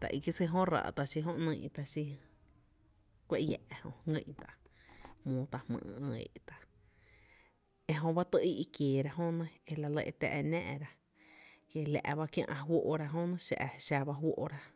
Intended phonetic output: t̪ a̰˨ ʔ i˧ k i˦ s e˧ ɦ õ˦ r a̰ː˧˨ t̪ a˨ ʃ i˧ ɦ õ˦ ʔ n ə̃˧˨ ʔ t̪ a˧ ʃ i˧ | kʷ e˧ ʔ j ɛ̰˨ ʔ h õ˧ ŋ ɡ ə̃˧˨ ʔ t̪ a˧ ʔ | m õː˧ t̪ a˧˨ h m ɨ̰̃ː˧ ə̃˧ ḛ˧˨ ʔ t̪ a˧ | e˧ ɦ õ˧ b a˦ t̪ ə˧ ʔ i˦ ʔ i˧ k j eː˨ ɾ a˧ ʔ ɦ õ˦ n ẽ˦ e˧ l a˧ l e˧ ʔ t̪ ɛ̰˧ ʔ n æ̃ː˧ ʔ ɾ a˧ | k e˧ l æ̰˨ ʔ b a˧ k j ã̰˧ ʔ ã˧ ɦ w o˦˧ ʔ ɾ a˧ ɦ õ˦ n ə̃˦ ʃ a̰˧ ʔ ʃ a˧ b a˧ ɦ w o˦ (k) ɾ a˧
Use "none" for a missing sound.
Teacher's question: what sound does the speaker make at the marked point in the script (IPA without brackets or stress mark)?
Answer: ʔ